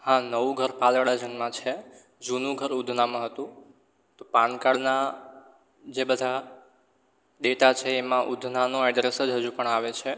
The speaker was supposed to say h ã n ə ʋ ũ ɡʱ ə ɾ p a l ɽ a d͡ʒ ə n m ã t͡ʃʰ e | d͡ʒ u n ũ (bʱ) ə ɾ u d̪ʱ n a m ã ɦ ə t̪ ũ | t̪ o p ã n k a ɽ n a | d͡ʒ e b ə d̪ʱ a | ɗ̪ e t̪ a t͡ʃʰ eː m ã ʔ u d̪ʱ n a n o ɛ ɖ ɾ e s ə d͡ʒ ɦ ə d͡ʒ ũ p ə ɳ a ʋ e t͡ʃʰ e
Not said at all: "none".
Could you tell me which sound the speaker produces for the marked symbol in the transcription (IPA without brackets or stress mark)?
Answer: ɡʱ